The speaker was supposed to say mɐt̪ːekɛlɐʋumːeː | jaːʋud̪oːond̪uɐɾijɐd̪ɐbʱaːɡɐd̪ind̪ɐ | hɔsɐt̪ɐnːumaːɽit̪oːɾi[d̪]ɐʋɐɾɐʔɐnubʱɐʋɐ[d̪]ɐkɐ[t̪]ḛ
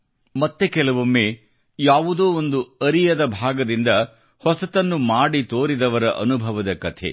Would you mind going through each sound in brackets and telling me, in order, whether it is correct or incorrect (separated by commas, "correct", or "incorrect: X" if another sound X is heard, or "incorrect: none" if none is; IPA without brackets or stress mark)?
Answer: correct, correct, incorrect: t̪ʰ